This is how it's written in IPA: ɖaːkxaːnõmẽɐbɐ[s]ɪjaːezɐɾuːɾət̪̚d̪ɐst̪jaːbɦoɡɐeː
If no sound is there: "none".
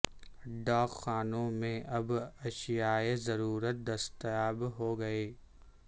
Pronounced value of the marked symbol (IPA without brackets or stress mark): ʃ